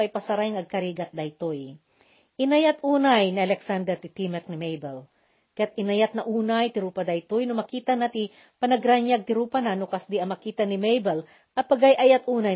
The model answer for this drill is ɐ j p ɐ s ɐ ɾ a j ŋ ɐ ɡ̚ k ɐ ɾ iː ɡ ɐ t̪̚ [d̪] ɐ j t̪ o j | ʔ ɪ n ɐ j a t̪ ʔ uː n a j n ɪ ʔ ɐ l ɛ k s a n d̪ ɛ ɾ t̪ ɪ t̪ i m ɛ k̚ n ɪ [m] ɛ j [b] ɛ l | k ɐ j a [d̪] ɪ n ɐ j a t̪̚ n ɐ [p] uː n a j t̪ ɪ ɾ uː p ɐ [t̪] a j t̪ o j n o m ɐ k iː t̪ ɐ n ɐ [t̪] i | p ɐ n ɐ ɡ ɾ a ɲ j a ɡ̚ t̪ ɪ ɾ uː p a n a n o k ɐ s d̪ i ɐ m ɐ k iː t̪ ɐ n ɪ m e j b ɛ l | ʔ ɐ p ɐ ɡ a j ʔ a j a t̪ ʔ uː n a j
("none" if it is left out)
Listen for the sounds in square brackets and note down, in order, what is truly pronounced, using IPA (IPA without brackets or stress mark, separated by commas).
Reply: d̪, m, b, t̪, ʔ, d̪, t̪